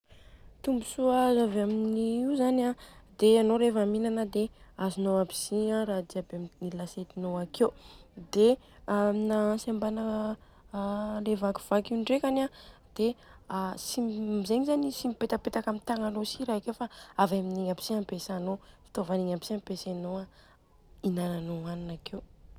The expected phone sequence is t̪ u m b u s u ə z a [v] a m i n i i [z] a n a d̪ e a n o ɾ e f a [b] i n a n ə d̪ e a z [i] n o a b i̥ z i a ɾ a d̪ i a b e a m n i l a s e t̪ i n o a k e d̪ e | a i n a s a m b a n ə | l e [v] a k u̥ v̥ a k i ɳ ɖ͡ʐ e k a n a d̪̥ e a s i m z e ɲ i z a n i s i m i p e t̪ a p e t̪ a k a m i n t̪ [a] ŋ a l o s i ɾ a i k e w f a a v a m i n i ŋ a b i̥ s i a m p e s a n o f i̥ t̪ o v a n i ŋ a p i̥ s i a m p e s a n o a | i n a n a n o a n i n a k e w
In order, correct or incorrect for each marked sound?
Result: correct, correct, incorrect, correct, correct, correct

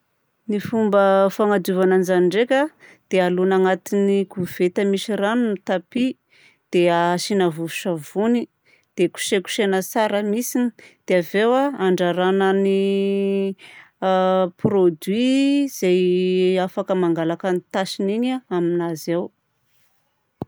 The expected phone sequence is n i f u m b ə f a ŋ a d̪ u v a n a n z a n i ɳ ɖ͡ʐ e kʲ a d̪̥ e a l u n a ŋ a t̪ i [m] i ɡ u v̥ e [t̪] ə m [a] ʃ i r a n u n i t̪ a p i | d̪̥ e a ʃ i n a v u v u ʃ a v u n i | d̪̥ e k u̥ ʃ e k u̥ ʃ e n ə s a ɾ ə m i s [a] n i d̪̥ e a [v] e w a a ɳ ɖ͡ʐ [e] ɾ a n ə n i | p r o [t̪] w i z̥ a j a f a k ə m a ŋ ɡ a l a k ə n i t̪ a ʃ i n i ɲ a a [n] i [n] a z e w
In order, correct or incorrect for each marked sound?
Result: incorrect, correct, incorrect, incorrect, correct, incorrect, incorrect, incorrect, correct

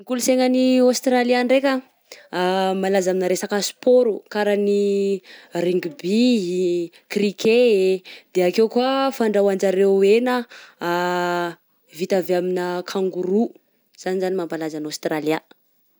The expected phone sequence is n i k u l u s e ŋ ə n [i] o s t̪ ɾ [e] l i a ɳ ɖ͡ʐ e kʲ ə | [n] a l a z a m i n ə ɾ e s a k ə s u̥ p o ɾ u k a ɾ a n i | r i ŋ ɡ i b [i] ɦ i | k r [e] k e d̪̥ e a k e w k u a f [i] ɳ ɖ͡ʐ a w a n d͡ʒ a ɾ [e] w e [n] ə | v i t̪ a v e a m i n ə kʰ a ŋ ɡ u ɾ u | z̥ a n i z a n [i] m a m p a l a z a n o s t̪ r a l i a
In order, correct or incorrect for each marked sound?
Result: correct, incorrect, incorrect, correct, incorrect, incorrect, correct, correct, correct

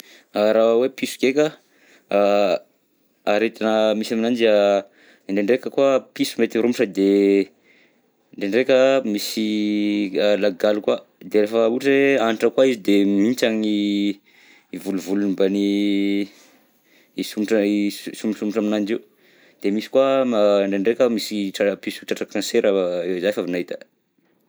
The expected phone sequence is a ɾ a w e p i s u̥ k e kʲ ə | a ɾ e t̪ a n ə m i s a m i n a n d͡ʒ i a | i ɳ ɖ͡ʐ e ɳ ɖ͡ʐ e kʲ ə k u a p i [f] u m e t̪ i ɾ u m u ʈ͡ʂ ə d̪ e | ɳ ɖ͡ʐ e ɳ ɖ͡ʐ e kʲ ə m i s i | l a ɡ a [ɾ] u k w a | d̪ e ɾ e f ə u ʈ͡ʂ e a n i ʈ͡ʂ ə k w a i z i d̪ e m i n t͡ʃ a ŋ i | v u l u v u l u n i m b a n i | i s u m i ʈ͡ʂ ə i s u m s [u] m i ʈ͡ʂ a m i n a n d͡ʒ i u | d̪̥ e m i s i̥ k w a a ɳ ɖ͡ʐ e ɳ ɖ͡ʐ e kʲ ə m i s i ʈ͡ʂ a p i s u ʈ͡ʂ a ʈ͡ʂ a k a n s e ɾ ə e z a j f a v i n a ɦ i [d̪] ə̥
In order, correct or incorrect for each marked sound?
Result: incorrect, incorrect, correct, incorrect

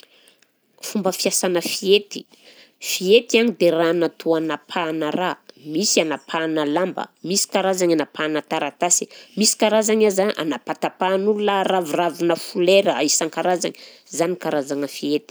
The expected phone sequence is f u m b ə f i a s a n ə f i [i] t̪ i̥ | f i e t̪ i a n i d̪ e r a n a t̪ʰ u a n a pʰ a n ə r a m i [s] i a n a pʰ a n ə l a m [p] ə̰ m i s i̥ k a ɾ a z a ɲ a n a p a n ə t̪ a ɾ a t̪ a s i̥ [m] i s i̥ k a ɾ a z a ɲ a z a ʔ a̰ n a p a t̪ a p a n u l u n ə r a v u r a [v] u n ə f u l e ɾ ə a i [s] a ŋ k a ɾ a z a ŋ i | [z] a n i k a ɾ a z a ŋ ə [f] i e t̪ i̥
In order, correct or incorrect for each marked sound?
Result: incorrect, correct, incorrect, correct, correct, correct, correct, correct

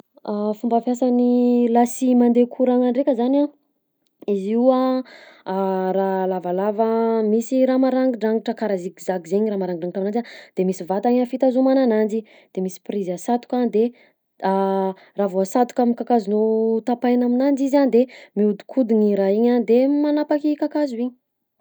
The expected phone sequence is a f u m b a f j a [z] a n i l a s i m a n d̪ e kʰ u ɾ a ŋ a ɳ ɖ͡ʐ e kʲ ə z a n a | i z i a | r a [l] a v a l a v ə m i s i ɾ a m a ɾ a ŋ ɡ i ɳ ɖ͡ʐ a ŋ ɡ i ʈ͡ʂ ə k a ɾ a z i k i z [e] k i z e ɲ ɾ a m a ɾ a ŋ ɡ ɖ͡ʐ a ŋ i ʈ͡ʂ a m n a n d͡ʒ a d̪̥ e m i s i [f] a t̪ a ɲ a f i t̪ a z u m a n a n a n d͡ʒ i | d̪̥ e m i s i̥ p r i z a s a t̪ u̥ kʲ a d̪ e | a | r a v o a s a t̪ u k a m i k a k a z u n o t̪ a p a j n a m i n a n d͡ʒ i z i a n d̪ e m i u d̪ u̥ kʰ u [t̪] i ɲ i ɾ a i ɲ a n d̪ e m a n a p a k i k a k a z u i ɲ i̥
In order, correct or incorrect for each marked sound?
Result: incorrect, correct, incorrect, incorrect, incorrect

